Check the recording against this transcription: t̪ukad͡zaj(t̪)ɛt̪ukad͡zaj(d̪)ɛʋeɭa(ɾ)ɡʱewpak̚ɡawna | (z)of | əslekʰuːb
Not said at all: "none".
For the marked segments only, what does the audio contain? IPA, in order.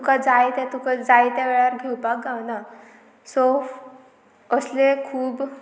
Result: t̪, t̪, ɾ, s

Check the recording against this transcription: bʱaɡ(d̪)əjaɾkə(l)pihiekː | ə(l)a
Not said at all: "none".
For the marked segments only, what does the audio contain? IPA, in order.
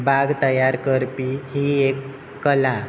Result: t̪, ɾ, l

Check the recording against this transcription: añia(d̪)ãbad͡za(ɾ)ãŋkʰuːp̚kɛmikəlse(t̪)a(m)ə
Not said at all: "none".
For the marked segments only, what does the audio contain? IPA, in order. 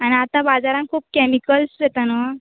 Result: t̪, ɾ, t̪, n

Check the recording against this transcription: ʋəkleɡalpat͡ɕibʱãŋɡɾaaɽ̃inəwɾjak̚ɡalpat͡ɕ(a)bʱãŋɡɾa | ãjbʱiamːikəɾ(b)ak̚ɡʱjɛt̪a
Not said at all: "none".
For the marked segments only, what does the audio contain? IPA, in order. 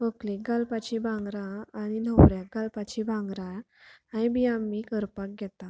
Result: i, p

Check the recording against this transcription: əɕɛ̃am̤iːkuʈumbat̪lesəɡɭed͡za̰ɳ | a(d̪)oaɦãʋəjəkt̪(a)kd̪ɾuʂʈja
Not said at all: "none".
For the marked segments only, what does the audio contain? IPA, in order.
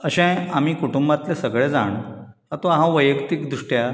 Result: t̪, i

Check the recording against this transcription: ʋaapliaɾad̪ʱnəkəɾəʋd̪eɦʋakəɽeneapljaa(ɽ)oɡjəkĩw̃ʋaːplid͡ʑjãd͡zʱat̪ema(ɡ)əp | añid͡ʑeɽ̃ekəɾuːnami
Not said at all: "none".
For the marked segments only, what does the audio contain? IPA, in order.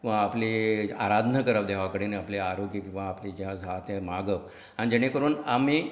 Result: ɾ, ɡ

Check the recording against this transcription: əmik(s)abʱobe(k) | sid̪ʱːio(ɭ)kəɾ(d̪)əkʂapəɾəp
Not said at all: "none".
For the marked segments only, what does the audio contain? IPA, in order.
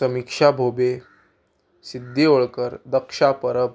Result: ʂ, none, ɭ, d̪

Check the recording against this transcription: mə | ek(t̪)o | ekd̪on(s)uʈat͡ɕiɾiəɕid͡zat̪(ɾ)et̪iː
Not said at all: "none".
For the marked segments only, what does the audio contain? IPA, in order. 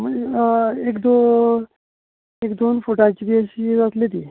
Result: d̪, f, l

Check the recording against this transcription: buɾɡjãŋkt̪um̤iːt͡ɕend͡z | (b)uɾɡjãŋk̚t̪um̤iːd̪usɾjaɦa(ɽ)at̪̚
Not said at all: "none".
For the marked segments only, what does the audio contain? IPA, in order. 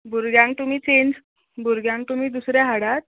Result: b, ɽ

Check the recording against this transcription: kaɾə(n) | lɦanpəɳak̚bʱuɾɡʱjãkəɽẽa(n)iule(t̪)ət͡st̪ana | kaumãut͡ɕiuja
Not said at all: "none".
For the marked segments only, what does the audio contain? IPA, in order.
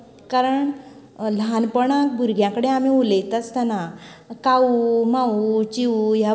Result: ɳ, m, t̪

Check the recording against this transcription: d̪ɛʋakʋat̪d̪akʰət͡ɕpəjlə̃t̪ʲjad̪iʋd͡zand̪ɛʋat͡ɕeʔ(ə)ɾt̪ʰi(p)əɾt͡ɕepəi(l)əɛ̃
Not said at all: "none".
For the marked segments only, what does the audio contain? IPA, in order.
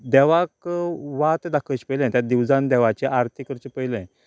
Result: a, k, l

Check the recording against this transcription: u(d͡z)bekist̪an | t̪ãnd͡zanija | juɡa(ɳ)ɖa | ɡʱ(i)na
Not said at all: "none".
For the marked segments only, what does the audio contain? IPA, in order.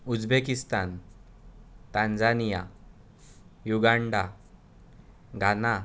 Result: d͡z, ɳ, a

